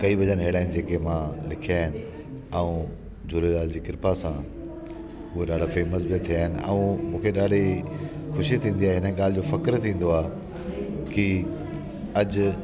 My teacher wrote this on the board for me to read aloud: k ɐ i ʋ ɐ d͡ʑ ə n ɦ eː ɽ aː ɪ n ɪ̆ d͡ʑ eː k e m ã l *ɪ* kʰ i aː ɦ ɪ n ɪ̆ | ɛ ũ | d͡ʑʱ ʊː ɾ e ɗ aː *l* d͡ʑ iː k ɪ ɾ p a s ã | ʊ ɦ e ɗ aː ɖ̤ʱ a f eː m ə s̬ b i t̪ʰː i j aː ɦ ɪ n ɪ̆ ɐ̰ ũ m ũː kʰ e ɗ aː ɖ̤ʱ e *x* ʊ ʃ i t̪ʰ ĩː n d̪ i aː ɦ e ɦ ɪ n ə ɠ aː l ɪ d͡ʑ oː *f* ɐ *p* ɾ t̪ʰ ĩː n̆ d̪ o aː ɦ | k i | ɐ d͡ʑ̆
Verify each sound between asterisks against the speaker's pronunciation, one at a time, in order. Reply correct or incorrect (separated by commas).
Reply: correct, correct, correct, correct, incorrect